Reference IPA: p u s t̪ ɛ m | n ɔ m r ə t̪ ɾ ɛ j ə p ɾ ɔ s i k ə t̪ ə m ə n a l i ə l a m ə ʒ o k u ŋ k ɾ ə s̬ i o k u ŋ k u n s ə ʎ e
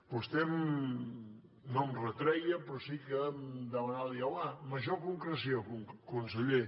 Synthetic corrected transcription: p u s t̪ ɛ m | n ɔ m r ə t̪ ɾ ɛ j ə p ɾ ɔ s i k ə d̪ ə m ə n a l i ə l a m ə ʒ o k u ŋ k ɾ ə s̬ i o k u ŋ k u n s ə ʎ e